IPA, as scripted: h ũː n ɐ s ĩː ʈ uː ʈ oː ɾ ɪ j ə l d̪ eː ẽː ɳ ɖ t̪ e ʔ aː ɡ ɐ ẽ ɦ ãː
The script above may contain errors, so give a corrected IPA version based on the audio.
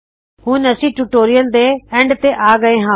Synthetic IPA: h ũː n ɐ s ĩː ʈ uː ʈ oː ɾ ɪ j ə l d̪ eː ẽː ɳ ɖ t̪ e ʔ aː ɡ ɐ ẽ ɦ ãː

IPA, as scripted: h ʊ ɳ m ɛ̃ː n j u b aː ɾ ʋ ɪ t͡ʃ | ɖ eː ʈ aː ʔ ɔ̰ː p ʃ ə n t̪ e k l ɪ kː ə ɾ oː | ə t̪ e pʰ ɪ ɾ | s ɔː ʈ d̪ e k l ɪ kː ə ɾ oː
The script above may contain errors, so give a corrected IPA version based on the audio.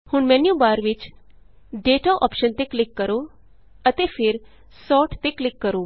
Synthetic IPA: h ʊ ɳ m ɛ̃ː n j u b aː ɾ ʋ ɪ t͡ʃ | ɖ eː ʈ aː ʔ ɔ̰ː p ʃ ə n t̪ e k l ɪ kː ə ɾ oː | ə t̪ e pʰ ɪ ɾ | s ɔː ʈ t̪ e k l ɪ kː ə ɾ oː

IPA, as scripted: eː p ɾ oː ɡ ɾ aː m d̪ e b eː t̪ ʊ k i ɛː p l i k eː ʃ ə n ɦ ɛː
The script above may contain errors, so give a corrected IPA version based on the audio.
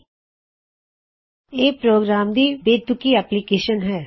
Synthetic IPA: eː p ɾ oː ɡ ɾ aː m d̪ i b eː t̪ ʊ k i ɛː p l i k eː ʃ ə n ɦ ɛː

